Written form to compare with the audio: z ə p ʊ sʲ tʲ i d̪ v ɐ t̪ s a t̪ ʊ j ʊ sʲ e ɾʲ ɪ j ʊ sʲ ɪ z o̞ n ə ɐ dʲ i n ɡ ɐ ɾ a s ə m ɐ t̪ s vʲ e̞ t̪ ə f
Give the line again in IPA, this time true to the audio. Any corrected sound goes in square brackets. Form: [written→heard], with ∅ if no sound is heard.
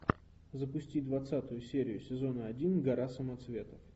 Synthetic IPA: z ə p ʊ sʲ tʲ i d̪ v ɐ t̪ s a t̪ ʊ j ʊ sʲ e ɾʲ ɪ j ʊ sʲ ɪ z o̞ n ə ɐ dʲ i n ɡ ɐ ɾ a s ə m ɐ t̪ s vʲ e̞ t̪ ə f